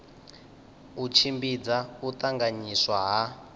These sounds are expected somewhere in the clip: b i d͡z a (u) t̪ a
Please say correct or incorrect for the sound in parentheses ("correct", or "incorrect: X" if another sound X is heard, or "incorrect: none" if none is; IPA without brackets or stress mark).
correct